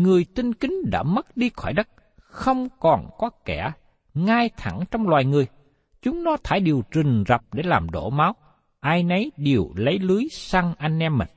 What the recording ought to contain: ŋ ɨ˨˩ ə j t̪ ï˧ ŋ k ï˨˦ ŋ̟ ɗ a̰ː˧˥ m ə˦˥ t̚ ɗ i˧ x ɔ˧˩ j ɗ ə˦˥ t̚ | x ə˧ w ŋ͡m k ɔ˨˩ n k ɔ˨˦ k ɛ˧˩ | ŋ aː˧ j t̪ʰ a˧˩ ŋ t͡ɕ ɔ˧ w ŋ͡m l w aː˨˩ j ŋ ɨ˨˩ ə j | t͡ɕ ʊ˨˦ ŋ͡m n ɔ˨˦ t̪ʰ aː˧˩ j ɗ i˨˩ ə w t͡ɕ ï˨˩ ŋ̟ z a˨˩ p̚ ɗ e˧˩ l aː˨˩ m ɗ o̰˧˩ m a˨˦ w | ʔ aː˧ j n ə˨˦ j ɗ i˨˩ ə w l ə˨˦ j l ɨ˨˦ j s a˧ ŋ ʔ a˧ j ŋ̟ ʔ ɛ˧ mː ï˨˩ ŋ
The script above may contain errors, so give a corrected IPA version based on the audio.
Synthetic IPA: ŋ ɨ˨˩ ə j t̪ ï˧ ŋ k ï˨˦ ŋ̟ ɗ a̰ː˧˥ m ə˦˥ t̚ ɗ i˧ x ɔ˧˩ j ɗ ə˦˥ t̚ | x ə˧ w ŋ͡m k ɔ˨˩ n k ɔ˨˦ k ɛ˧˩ | ŋ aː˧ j t̪ʰ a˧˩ ŋ t͡ɕ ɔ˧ w ŋ͡m l w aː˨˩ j ŋ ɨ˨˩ ə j | t͡ɕ ʊ˨˦ ŋ͡m n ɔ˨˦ t̪ʰ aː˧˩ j ɗ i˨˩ ə w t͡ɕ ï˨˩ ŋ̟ z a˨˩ p̚ ɗ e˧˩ l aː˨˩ m ɗ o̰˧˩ m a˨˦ w | ʔ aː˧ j n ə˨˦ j ɗ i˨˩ ə w l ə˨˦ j l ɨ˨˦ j s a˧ ŋ ʔ a˧ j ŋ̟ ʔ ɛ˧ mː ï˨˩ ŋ